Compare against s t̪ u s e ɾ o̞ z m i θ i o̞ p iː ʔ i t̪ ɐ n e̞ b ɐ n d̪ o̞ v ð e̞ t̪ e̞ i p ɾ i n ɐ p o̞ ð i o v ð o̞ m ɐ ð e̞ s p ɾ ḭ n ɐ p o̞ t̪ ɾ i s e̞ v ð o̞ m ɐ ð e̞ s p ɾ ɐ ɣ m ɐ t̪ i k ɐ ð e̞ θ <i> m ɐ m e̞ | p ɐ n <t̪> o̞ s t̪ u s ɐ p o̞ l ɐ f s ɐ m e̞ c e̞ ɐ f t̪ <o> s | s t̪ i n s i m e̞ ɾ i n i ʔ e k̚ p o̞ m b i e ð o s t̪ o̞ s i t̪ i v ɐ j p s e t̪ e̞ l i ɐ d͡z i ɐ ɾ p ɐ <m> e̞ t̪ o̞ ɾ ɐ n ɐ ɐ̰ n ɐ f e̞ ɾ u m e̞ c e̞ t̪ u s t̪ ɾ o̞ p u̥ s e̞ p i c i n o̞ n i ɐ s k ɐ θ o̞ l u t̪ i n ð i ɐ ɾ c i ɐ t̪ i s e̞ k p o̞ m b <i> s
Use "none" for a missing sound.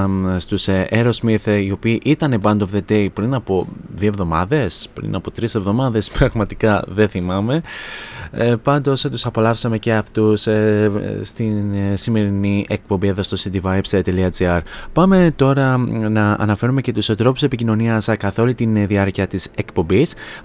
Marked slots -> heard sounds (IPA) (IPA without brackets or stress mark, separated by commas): i, d̪, u, m, i